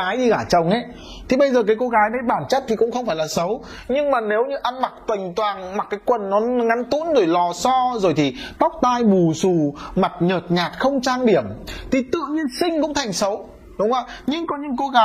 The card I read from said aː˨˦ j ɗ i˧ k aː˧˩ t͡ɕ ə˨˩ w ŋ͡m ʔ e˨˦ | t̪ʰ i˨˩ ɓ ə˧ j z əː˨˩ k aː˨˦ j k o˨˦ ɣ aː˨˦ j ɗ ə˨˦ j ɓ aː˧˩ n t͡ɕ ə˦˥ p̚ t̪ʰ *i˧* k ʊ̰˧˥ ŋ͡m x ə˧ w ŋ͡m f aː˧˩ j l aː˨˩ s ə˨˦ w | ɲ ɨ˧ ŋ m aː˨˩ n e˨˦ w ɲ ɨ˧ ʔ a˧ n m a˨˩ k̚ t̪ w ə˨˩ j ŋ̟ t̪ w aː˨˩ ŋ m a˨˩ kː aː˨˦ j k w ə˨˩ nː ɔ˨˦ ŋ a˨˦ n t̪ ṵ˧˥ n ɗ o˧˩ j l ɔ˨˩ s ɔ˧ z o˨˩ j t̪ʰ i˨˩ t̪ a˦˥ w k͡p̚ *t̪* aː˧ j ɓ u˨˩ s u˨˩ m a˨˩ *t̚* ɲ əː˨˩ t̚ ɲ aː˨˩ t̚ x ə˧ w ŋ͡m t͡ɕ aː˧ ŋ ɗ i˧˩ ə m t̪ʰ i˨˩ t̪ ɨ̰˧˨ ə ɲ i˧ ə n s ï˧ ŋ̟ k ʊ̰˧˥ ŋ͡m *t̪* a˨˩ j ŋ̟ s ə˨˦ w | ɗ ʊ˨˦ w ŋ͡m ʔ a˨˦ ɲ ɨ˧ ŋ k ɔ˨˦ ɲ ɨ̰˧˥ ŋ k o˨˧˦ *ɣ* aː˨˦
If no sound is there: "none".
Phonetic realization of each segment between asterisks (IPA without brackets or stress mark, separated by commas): i˨˩, t̪, t̚, t̪ʰ, ɣ